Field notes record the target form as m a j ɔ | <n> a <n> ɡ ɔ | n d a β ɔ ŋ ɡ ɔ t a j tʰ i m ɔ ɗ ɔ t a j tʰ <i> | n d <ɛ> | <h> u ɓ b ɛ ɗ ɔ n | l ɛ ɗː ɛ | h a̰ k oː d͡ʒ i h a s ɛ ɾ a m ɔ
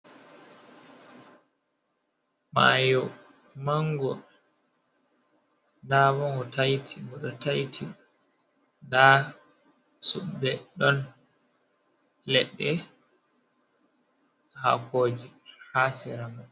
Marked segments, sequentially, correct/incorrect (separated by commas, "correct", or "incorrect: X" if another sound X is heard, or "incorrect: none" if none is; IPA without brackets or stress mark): incorrect: m, incorrect: ŋ, correct, incorrect: a, incorrect: s